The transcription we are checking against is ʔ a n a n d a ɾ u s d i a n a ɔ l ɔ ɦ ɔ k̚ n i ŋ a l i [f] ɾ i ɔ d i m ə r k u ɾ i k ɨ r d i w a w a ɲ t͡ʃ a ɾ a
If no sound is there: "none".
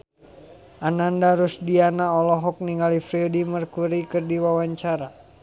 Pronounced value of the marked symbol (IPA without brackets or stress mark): f